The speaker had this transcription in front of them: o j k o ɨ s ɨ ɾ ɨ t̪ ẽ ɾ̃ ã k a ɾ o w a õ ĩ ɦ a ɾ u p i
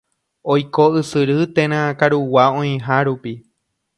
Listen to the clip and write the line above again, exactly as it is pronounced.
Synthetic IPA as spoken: o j k o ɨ s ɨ ɾ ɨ t̪ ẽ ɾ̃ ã k a ɾ u w a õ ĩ ɦ a ɾ u p i